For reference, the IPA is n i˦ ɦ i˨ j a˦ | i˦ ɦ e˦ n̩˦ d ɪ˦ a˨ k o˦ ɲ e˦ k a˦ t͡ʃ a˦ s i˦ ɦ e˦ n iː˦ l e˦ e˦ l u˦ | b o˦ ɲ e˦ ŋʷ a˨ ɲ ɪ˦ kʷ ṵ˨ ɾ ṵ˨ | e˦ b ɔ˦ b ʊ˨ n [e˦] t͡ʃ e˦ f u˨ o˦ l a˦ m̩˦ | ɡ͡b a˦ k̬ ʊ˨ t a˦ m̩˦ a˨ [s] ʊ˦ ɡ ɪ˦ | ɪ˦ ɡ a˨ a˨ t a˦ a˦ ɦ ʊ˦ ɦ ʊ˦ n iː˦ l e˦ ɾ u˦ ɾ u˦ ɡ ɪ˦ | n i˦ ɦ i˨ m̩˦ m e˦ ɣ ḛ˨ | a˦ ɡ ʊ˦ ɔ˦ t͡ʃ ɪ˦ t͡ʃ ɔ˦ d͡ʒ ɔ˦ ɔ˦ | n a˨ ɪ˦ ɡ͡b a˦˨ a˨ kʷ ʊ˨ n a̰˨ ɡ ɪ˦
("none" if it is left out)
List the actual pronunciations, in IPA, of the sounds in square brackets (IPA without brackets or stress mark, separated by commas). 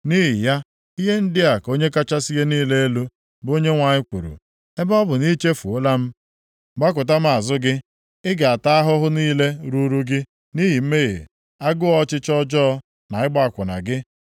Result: i˦, z